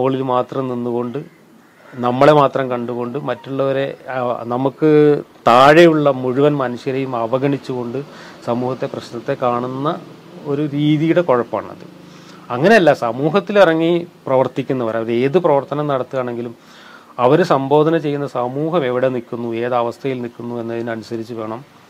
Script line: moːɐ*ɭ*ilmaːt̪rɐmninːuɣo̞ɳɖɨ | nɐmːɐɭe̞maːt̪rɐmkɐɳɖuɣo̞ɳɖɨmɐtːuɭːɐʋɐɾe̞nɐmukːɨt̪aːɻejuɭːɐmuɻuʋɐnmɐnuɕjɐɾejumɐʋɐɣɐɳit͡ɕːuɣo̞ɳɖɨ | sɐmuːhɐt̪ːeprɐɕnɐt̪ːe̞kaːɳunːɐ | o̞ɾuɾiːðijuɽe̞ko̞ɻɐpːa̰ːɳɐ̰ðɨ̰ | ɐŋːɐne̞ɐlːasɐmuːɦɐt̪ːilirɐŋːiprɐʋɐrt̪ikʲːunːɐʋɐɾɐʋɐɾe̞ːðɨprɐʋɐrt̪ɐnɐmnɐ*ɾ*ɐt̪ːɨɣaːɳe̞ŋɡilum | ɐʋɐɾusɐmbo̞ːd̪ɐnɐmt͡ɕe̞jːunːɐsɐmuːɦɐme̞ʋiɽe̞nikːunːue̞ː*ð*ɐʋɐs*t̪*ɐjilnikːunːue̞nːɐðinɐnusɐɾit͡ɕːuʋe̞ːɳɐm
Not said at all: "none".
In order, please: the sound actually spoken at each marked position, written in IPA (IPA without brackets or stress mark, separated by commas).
ɭ, ɽ, ð, t̪ʰ